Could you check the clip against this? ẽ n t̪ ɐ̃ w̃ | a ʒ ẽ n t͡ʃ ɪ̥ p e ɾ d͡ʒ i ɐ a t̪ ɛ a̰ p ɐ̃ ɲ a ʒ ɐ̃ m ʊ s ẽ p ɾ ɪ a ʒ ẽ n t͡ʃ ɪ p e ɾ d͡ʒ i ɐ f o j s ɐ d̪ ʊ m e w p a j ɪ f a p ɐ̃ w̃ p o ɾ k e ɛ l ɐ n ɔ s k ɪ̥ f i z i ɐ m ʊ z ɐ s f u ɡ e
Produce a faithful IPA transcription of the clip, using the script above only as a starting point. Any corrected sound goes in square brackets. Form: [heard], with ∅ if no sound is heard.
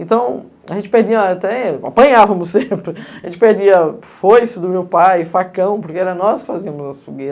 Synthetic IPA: ẽ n t̪ ɐ̃ w̃ | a ʒ ẽ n t͡ʃ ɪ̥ p e ɾ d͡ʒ i ɐ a t̪ ɛ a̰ p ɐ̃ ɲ a [v] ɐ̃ m ʊ s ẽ p ɾ ɪ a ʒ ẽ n t͡ʃ ɪ p e ɾ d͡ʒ i ɐ f o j s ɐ d̪ ʊ m e w p a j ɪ f a [k] ɐ̃ w̃ p o ɾ k e ɛ [ɾ] ɐ n ɔ s k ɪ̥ f [a] z i ɐ m ʊ z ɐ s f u ɡ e